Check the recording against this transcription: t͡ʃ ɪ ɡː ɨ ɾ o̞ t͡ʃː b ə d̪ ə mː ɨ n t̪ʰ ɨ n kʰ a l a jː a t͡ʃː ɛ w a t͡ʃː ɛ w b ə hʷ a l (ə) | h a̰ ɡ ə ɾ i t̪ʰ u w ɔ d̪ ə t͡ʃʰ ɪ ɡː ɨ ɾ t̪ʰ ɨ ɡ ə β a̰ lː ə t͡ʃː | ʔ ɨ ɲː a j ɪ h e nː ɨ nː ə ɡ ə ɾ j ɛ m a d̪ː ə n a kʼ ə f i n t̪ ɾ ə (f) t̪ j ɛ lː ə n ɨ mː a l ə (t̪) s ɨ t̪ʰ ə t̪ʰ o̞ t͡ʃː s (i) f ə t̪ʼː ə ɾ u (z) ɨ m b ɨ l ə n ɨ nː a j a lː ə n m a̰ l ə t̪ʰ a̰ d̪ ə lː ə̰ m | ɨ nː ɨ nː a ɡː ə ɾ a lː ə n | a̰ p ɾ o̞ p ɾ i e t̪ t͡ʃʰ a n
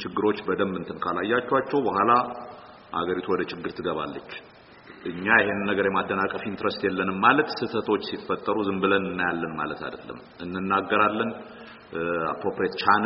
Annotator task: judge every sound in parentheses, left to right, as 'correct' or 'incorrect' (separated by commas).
incorrect, incorrect, correct, correct, correct